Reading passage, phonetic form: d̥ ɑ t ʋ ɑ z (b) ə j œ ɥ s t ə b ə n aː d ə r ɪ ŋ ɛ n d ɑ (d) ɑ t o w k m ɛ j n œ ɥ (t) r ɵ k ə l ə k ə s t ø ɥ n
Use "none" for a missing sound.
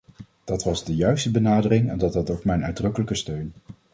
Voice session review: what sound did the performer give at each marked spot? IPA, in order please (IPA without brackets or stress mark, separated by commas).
d, t, d